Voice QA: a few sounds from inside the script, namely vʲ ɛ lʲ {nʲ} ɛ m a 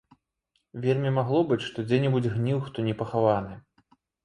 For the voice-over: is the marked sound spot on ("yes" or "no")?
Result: no